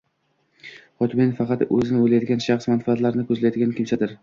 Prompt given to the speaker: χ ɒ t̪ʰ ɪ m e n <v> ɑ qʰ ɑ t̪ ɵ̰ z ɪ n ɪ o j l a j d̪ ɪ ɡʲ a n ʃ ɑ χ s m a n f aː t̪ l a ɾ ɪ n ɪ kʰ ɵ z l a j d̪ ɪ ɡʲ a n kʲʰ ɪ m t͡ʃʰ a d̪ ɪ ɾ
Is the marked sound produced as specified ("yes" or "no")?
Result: no